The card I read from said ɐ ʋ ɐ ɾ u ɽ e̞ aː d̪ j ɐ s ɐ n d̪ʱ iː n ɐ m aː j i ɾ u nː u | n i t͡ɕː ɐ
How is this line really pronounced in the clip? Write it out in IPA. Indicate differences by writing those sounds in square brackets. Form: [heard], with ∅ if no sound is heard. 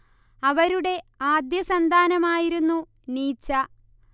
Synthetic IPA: ɐ ʋ ɐ ɾ u ɽ e̞ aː d̪ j ɐ s ɐ n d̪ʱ [aː] n ɐ m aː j i ɾ u nː u | n [iː] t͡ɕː ɐ